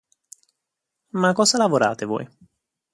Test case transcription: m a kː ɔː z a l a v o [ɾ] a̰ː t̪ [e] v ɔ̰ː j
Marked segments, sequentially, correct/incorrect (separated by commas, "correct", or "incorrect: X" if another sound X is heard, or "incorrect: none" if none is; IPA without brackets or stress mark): correct, correct